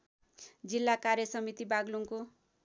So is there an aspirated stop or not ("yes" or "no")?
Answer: no